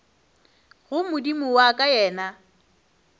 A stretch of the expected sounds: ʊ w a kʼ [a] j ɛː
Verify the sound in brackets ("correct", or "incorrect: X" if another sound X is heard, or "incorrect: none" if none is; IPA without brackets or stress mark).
correct